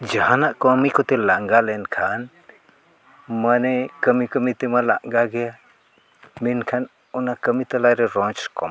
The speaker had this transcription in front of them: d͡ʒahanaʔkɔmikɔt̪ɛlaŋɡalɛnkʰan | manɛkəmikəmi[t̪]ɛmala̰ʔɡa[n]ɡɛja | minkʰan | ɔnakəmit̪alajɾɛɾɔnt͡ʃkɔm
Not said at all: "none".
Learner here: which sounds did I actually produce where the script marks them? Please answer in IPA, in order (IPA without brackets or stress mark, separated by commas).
t̪, none